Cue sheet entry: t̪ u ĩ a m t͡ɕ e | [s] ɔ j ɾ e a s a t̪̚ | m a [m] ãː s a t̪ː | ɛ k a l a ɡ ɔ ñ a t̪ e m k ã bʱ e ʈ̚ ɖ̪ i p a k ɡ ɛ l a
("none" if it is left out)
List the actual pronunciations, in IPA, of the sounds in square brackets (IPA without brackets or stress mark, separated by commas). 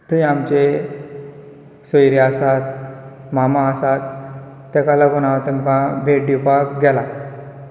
s, m